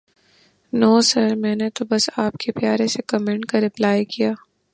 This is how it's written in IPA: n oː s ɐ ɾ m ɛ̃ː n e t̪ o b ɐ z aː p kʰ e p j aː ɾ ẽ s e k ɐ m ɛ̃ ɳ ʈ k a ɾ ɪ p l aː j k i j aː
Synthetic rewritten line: n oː s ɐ ɾ m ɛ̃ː n e t̪ o b ɐ s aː p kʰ e p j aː ɾ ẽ s e k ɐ m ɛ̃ ɳ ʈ k a ɾ ɪ p l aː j k i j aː

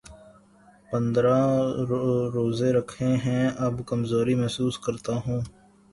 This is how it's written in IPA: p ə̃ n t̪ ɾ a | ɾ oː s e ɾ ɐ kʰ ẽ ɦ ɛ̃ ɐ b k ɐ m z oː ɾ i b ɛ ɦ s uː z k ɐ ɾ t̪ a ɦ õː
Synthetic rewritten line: p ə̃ n d̪ ɾ a | ɾ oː z e ɾ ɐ kʰ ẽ ɦ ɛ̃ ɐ b k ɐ m z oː ɾ i m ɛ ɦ s uː s k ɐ ɾ t̪ a ɦ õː

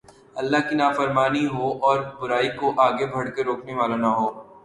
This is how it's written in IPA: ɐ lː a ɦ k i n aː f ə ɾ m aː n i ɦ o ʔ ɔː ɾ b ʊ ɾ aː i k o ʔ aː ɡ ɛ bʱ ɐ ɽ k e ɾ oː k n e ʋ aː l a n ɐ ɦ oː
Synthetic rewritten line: ɐ lː a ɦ k i n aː f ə ɾ m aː n i ɦ o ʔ ɔː ɾ b ʊ ɾ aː i k o ʔ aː ɡ e bʱ ɐ ɽ k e ɾ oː k n e ʋ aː l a n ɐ ɦ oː

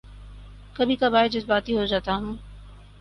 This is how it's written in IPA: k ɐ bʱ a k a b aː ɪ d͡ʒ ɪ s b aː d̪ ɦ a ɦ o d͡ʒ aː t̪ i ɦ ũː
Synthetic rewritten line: k ɐ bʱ i k a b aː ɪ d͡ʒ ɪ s b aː t̪ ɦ i ɦ o d͡ʒ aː t̪ a ɦ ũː

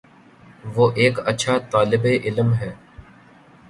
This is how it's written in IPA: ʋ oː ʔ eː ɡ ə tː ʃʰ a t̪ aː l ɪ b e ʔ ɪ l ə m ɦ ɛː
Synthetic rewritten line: ʋ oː ʔ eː k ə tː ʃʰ a t̪ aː l ɪ b e ʔ ɪ l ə m ɦ ɛː

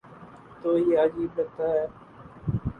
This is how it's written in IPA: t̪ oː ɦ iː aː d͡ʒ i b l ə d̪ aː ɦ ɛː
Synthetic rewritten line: t̪ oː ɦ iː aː d͡ʒ iː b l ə t̪ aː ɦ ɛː

